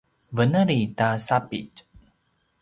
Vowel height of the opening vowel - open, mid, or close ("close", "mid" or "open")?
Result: mid